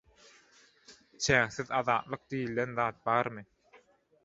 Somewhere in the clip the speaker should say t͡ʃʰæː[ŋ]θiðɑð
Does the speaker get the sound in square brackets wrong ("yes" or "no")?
no